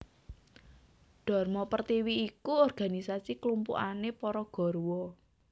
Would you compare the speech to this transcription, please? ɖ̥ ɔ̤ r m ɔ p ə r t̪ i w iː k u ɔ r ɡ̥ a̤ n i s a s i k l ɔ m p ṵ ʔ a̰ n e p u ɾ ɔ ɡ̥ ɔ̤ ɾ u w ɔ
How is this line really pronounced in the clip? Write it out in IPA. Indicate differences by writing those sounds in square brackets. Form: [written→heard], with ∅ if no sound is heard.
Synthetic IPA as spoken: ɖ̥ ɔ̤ r m ɔ p ə r t̪ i w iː k u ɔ r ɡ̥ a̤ n i s a s i k l [ɔ→u] m p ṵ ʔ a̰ n e p [u→ɔ] ɾ ɔ ɡ̥ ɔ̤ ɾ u w ɔ